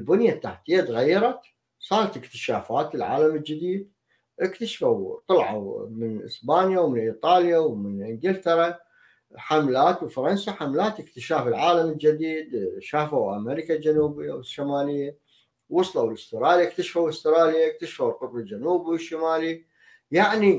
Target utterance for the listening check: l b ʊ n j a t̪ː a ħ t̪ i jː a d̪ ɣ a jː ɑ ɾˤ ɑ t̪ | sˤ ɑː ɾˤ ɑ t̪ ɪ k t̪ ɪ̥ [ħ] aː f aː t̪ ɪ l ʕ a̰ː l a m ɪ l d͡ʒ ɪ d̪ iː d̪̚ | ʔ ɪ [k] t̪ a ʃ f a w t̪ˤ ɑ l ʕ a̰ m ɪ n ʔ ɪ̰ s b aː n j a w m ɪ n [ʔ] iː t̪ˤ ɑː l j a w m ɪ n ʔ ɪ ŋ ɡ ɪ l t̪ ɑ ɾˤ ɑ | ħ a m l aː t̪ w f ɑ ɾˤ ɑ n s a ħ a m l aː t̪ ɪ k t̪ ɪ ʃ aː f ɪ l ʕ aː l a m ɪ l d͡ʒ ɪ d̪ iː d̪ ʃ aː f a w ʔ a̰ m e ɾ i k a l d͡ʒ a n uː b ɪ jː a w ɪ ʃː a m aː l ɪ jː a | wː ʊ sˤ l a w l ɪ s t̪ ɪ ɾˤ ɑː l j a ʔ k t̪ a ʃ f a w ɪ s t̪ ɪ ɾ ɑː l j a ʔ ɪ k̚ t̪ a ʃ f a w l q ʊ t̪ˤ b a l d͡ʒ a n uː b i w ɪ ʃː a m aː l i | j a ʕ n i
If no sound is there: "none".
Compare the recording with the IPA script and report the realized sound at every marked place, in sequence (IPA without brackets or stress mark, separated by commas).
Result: ʃ, k, ʔ